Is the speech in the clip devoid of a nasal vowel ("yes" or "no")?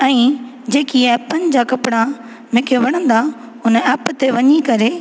no